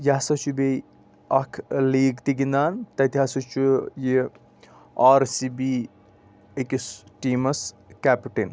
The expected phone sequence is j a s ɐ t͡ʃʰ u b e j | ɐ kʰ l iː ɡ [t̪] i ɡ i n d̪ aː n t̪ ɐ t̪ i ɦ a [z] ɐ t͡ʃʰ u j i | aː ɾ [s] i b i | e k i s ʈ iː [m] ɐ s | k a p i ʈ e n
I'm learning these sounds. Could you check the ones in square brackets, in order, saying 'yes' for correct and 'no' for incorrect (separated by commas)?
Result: yes, no, yes, yes